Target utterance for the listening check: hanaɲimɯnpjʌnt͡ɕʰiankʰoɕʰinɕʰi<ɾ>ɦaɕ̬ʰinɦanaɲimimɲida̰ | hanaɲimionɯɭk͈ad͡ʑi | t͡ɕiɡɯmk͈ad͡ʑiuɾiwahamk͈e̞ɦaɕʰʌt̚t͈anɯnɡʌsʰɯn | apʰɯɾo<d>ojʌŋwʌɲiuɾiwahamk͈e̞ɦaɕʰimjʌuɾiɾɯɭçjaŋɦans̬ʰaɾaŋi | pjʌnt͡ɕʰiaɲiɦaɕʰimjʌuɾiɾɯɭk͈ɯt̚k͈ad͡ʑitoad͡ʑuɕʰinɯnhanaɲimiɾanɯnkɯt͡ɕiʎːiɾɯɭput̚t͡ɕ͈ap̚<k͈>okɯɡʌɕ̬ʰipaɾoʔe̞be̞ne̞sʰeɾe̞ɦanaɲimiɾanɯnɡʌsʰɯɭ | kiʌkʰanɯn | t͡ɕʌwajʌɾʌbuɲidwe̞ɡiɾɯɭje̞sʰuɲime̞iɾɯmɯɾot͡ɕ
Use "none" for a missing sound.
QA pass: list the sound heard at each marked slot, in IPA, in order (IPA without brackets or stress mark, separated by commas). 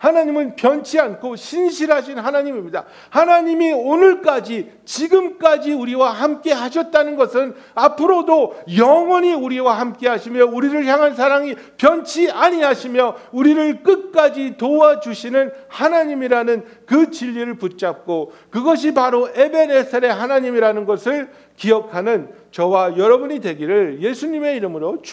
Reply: ɾ, d, k͈